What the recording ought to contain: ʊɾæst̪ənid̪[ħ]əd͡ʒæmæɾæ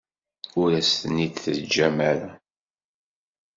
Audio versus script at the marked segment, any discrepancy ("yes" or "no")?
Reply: yes